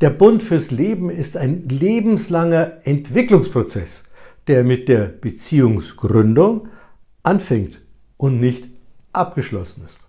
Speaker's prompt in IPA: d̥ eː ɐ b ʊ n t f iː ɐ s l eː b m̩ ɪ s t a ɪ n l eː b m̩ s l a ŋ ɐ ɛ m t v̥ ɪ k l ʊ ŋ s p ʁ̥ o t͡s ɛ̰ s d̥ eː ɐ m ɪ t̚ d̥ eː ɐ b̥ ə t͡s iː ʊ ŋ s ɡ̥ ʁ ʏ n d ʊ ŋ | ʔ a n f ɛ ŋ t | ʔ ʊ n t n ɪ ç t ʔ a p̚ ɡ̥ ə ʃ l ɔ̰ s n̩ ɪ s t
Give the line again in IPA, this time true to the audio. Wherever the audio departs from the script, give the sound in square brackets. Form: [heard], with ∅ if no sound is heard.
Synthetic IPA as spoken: d̥ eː ɐ b ʊ n t f [yː] ɐ s l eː b m̩ ɪ s t a ɪ n l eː b m̩ s l a ŋ ɐ ɛ [n] t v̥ ɪ k l ʊ ŋ s p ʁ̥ o t͡s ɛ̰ s d̥ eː ɐ m ɪ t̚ d̥ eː ɐ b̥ ə t͡s iː ʊ ŋ s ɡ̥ ʁ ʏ n d ʊ ŋ | ʔ a n f ɛ ŋ t | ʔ ʊ n t n ɪ ç t ʔ a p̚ ɡ̥ ə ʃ l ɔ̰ s n̩ ɪ s t